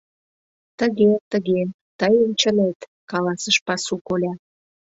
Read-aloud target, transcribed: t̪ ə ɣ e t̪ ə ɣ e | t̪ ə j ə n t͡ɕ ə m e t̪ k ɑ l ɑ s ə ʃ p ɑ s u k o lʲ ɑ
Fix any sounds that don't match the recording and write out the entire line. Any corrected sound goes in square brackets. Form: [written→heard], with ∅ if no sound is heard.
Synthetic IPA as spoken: t̪ ə ɣ e t̪ ə ɣ e | t̪ ə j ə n t͡ɕ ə [m→n] e t̪ k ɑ l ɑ s ə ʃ p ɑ s u k o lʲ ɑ